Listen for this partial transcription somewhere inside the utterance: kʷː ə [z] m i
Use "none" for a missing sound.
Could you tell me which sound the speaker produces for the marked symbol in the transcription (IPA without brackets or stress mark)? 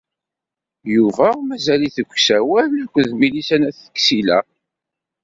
ð